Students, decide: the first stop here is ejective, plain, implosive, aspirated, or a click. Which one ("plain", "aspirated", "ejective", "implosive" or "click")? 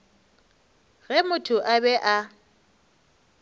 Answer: aspirated